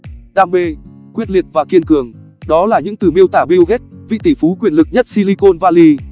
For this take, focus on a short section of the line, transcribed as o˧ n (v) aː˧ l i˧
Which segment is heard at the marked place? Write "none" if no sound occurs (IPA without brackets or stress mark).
v